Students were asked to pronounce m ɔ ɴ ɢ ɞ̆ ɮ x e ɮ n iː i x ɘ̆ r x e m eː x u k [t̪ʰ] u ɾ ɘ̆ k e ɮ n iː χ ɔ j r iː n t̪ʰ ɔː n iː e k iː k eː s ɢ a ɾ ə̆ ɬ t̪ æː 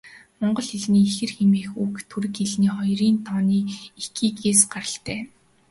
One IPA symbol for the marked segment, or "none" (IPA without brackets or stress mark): t̪ʰ